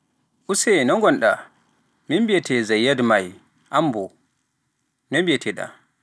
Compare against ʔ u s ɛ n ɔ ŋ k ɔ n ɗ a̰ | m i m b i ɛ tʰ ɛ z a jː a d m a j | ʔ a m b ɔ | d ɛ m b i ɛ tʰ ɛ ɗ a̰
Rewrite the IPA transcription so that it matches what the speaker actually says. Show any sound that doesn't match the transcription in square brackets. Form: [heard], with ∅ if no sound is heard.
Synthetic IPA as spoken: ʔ u s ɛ n ɔ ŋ [ɡ] ɔ n ɗ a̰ | m i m b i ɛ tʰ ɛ z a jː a d m a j | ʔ a m b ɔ | [n] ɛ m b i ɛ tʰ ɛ ɗ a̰